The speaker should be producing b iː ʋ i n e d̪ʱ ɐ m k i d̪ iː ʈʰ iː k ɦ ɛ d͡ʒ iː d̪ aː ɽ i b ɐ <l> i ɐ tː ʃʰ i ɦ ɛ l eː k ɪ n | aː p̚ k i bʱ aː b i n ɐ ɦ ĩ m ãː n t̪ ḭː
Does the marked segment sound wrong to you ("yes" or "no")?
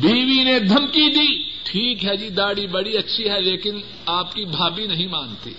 yes